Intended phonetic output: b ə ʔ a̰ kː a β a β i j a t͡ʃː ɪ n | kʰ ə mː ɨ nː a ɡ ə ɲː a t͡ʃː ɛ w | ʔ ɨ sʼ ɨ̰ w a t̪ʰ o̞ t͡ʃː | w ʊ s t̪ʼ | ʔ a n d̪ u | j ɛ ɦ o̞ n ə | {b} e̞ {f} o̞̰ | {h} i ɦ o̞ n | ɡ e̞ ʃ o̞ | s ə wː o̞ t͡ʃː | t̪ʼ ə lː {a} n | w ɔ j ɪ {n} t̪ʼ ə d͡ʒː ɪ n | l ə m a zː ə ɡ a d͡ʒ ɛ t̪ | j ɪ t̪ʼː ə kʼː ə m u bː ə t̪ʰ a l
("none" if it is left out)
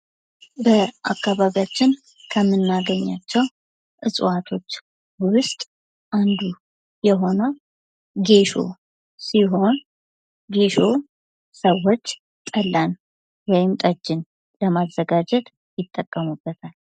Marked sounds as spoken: ɡ, ʃ, s, a, m

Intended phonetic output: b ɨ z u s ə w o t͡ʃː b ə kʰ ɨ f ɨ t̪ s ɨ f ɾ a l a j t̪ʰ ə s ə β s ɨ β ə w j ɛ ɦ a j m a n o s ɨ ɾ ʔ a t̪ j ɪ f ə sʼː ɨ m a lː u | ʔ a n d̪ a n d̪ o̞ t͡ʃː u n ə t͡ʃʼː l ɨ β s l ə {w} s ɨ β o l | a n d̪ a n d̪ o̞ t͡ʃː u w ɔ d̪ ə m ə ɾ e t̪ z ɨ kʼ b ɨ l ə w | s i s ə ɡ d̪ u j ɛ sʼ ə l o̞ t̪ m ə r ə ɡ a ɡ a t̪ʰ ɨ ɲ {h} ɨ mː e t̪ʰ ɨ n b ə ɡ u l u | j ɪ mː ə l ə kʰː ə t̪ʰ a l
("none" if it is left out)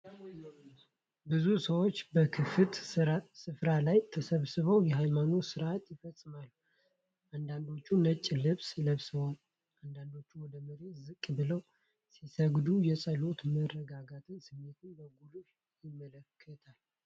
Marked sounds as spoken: β, s

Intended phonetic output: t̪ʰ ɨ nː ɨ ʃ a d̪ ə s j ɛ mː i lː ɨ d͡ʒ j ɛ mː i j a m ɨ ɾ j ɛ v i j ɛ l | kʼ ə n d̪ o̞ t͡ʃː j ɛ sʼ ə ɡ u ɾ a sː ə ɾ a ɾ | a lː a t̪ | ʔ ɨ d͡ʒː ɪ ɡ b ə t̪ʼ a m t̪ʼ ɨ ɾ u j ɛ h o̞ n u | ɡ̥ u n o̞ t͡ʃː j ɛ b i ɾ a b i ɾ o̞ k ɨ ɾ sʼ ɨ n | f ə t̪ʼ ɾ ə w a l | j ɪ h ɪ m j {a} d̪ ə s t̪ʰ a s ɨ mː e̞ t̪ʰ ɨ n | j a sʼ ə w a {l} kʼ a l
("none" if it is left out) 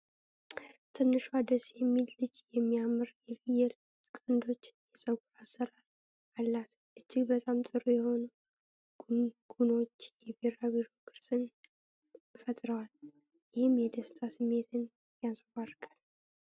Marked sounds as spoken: ɛ, r

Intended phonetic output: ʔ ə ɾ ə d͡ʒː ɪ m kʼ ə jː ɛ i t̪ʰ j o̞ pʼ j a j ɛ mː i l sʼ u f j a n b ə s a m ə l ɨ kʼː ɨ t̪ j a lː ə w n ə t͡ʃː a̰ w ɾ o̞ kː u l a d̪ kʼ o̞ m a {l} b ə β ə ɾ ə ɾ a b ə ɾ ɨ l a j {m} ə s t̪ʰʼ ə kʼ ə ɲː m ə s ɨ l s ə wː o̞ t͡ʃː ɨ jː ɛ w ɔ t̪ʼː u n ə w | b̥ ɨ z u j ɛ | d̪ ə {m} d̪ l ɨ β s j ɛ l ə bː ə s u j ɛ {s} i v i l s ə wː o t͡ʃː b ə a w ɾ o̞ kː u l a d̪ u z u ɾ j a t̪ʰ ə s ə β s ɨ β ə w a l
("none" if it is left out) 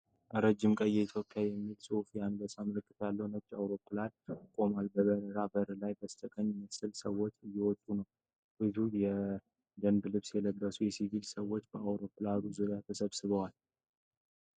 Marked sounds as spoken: l, b, n, s

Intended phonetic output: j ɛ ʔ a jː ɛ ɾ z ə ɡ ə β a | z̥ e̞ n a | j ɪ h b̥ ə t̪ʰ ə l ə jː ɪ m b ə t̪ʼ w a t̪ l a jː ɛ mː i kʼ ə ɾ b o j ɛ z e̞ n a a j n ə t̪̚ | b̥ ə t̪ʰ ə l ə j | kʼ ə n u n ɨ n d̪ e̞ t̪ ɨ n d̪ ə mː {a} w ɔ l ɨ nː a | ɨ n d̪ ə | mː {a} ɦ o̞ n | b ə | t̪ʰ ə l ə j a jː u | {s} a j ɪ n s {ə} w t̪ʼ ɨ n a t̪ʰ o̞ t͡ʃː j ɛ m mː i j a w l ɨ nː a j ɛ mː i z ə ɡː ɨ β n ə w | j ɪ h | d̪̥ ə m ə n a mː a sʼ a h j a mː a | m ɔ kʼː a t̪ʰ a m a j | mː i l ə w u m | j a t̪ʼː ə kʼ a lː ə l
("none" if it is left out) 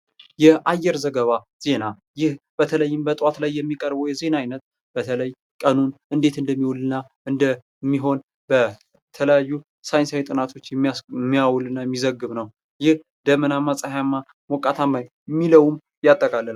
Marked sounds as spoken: i, i, s, a

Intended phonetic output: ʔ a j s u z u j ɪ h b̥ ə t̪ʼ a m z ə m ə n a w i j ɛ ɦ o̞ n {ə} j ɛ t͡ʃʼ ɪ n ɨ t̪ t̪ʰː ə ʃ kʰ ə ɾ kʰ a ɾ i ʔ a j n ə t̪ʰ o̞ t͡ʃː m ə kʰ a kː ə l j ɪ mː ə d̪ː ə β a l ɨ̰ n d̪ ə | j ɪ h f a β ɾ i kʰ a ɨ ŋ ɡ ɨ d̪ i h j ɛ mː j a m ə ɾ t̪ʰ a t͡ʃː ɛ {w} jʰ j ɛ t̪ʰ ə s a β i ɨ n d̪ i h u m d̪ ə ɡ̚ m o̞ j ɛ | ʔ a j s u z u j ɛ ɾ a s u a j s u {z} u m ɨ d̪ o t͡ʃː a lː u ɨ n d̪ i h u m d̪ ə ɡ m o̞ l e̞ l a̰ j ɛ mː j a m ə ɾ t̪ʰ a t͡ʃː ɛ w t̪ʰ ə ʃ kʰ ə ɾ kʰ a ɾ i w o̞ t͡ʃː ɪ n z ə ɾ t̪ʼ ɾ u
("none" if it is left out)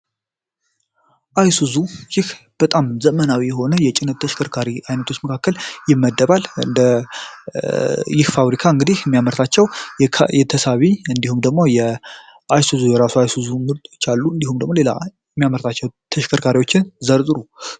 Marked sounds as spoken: ə, w, z

